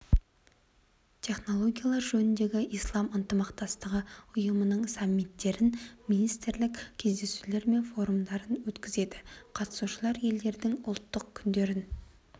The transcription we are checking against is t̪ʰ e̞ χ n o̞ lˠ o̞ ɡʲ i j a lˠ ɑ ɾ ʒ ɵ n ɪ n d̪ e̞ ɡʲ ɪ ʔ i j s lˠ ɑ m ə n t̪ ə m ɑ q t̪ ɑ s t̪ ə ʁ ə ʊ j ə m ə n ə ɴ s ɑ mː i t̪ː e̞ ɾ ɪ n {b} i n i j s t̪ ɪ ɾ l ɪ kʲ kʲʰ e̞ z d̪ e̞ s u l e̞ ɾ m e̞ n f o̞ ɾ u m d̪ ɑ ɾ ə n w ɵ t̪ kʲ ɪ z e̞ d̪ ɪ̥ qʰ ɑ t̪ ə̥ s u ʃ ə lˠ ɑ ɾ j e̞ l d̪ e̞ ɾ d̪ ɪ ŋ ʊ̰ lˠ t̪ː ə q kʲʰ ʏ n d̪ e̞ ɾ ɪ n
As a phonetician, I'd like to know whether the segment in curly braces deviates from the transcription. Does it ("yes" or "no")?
yes